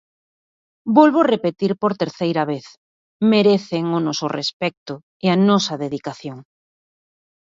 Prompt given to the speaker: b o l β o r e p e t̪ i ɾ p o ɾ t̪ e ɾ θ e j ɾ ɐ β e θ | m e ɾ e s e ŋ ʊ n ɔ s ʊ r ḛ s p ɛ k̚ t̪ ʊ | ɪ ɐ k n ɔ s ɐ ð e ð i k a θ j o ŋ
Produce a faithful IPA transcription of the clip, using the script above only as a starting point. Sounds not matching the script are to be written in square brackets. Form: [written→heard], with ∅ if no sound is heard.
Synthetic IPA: b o l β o r e p e t̪ i ɾ p o ɾ t̪ e ɾ θ e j ɾ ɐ β e θ | m e ɾ e [s→θ] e ŋ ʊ n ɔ s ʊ r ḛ s p ɛ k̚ t̪ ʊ | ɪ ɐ [k→∅] n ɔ s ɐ ð e ð i k a θ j o ŋ

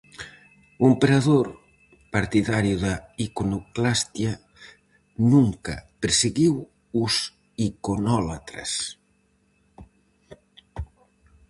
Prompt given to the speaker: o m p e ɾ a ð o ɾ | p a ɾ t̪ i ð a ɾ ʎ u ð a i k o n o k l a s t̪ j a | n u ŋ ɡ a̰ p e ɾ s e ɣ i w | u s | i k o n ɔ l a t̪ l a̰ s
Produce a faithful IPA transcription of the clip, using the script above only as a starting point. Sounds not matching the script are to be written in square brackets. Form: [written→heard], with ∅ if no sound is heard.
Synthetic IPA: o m p e ɾ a ð o ɾ | p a ɾ t̪ i ð a ɾ [ʎ→j] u ð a i k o n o k l a s t̪ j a | n u ŋ [ɡ→k] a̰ p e ɾ s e ɣ i w | u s | i k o n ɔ l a t̪ [l→ɾ] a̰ s

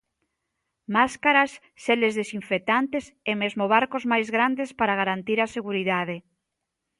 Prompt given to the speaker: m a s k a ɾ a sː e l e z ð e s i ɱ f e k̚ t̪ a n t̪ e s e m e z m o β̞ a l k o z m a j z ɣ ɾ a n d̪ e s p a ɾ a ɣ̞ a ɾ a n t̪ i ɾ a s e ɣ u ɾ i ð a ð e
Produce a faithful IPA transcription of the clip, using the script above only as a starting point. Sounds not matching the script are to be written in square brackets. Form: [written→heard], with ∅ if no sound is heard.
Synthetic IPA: m a s k a ɾ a sː e l e z ð e s i ɱ f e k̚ t̪ a n t̪ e s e m e z m o β̞ a [l→ɾ] k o z m a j z ɣ ɾ a n d̪ e s p a ɾ a ɣ̞ a ɾ a n t̪ i ɾ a s e ɣ u ɾ i ð a ð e

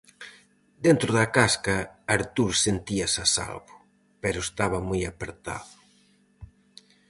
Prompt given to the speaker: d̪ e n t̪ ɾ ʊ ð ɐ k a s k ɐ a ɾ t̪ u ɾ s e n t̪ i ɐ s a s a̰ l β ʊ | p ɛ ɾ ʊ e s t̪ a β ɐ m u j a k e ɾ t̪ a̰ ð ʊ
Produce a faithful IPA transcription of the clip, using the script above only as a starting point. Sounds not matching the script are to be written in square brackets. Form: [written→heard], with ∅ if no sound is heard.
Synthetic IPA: d̪ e n t̪ ɾ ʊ ð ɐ k a s k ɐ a ɾ t̪ u ɾ s e n t̪ i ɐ s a s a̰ l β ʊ | p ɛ ɾ ʊ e s t̪ a β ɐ m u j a [k→p] e ɾ t̪ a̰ ð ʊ

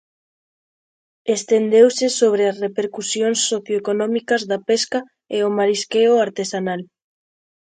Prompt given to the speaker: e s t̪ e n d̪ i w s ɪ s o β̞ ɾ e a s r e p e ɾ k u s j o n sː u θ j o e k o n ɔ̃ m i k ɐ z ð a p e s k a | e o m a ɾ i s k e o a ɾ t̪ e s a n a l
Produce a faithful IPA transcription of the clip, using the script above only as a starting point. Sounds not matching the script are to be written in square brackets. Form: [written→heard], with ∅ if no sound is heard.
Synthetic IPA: e s t̪ e n d̪ [i→e] w s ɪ s o β̞ ɾ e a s r e p e ɾ k u s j o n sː [u→o] θ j o e k o n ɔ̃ m i k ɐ z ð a p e s k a | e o m a ɾ i s k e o a ɾ t̪ e s a n a l

